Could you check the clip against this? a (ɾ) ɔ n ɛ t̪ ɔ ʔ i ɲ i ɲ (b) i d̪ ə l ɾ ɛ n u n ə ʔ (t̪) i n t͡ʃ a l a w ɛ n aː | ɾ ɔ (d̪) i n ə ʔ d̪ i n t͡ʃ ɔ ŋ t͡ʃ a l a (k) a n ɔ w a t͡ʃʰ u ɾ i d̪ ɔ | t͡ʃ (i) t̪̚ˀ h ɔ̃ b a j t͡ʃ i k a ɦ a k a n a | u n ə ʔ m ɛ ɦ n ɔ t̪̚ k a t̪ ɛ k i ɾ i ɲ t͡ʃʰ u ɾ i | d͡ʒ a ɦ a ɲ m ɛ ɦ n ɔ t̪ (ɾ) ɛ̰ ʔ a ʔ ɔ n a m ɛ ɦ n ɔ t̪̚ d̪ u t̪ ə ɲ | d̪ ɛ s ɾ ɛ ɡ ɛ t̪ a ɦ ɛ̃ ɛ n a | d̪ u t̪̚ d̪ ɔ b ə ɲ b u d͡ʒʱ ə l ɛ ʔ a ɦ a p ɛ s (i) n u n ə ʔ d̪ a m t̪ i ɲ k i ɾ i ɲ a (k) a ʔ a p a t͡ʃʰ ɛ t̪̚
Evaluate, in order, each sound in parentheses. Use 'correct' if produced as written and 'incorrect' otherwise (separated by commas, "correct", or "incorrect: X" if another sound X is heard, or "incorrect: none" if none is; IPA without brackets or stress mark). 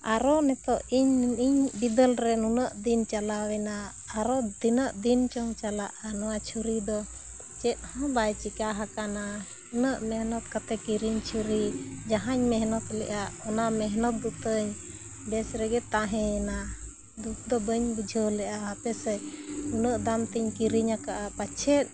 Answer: correct, correct, incorrect: d̪, correct, incorrect: ʔ, incorrect: ɛ, incorrect: l, incorrect: ɛ, correct